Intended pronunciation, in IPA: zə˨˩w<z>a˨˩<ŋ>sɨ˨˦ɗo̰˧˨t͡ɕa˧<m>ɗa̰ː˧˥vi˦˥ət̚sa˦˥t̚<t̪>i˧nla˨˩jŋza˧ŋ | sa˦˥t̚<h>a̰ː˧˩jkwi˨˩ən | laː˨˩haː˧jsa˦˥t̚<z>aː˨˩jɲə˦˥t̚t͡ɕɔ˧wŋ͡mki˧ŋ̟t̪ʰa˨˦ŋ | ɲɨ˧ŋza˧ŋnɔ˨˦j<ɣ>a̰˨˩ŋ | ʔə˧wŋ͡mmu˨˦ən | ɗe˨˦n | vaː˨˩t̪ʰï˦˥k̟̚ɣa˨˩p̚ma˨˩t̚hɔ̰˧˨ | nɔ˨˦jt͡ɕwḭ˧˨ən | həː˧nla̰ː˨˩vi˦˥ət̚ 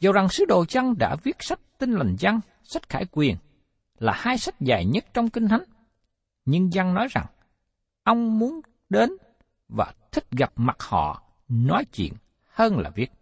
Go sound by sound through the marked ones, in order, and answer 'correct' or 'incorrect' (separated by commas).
correct, correct, incorrect, correct, incorrect, correct, incorrect